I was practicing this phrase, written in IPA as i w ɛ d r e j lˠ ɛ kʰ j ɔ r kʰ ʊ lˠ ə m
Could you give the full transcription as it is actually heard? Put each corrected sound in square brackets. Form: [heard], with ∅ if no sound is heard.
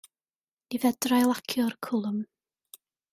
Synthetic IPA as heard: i [v] ɛ d r [a] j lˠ [a] kʰ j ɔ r kʰ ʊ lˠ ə m

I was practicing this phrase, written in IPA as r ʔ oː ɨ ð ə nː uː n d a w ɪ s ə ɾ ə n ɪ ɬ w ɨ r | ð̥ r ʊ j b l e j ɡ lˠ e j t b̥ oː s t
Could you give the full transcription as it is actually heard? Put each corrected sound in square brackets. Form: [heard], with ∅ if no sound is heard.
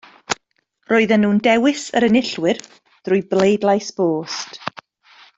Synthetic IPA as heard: r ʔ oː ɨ ð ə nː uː n d [ɛ] w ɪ s ə ɾ ə n ɪ ɬ w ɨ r | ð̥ r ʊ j b l e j [d] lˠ [a] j [s] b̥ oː s t

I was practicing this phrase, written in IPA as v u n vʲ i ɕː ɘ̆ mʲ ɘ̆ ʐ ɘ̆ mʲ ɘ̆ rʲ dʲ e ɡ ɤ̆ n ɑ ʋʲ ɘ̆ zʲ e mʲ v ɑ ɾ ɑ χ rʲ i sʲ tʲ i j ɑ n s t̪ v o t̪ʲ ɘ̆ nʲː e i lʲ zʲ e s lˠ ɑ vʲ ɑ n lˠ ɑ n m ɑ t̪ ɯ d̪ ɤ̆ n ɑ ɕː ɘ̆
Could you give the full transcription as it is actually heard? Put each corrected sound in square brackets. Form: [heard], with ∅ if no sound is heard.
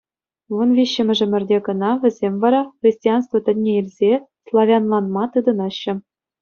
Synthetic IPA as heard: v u n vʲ i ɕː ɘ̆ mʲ ɘ̆ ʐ ɘ̆ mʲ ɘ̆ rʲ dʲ e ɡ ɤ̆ n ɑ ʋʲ ɘ̆ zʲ e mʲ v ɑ ɾ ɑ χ rʲ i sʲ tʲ i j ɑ n s t̪ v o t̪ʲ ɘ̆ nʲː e i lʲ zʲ e s lˠ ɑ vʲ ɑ n lˠ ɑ n m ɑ t̪ ɯ d̪ ɤ̆ n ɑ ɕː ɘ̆

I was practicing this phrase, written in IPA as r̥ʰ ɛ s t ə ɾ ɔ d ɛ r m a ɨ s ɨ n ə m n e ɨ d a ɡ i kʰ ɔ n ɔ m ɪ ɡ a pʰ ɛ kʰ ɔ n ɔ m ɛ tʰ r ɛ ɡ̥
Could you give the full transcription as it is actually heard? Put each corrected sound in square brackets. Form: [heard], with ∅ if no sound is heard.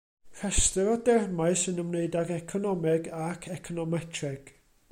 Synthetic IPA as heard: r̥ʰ ɛ s t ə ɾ ɔ d ɛ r m a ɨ s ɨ n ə m n e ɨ d a ɡ [ɛ] kʰ ɔ n ɔ m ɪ ɡ a [kʰ] ɛ kʰ ɔ n ɔ m ɛ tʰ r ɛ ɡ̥

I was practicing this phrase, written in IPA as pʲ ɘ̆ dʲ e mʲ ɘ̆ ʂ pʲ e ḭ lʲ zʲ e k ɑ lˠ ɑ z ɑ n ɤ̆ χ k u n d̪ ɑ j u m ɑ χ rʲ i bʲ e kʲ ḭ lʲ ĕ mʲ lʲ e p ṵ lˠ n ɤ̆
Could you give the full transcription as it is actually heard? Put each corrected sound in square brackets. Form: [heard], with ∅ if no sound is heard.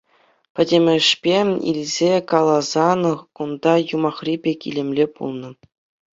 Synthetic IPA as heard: pʲ ɘ̆ dʲ e mʲ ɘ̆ ʂ pʲ e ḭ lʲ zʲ e k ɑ lˠ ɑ z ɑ n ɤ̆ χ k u n d̪ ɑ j u m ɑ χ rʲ i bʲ e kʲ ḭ lʲ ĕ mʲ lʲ e p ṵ lˠ n ɤ̆

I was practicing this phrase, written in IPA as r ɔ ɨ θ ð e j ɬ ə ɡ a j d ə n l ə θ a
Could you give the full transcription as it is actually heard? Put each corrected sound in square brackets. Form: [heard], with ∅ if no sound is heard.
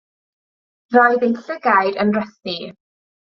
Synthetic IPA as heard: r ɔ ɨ [∅] ð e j ɬ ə ɡ a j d ə n [r] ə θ [i]

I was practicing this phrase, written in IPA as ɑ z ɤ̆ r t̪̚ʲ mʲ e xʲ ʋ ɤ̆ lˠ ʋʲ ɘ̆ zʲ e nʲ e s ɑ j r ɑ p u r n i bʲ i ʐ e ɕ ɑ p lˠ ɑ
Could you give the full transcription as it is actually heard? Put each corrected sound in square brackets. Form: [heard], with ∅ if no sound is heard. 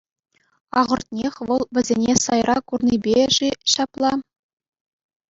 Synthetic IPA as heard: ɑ [ʁ] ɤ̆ r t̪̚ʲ [nʲ] e xʲ ʋ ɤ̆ lˠ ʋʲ ɘ̆ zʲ e nʲ e s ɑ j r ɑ [k] u r n i bʲ [e] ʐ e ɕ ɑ p lˠ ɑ

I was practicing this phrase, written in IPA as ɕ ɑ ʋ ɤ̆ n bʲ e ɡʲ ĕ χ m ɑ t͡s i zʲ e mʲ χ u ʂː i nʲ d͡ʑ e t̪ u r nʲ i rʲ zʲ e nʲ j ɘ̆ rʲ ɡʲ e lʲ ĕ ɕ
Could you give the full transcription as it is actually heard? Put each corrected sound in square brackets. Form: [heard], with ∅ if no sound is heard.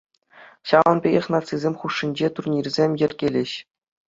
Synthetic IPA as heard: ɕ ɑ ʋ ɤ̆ n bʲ e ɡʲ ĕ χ [n] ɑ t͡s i zʲ e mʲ χ u ʂː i nʲ d͡ʑ e t̪ u r nʲ i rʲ zʲ e [mʲ] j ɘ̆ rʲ ɡʲ e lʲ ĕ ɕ

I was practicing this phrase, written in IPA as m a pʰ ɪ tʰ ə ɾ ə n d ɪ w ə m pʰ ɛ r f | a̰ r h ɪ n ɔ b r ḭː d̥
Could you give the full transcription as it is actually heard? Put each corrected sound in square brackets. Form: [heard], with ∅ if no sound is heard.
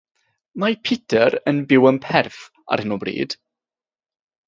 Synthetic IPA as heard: m a pʰ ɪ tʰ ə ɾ ə n [b] ɪ w ə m pʰ ɛ r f | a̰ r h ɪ n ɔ b r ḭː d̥

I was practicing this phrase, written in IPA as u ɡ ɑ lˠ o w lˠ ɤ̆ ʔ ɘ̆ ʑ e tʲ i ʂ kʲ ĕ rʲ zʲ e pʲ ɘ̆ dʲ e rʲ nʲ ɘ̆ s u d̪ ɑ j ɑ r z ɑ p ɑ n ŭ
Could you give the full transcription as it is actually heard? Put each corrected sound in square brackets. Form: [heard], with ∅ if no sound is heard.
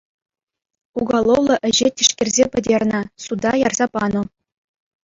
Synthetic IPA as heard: u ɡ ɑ lˠ o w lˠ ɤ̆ ʔ ɘ̆ ʑ e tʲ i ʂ kʲ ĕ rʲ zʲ e pʲ ɘ̆ dʲ e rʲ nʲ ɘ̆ s u d̪ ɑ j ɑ r z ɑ p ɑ n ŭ

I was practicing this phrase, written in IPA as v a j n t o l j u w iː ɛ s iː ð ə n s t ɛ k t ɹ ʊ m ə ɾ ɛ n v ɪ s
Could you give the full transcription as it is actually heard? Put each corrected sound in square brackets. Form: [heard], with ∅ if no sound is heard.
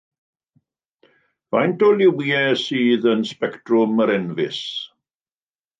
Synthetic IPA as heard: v a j n t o l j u w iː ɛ s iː ð ə n s [p] ɛ k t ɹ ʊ m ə ɾ ɛ n v ɪ s

